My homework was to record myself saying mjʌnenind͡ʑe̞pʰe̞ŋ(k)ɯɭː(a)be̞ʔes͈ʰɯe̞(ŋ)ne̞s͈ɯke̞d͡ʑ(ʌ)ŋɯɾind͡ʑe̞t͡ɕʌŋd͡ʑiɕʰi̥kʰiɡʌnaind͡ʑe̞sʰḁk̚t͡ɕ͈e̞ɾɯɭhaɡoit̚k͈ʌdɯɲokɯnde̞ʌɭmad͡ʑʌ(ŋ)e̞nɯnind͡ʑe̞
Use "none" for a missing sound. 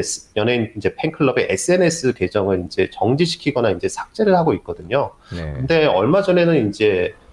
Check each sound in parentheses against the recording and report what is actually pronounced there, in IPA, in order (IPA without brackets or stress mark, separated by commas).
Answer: kʰ, ʌ, none, ʌ, n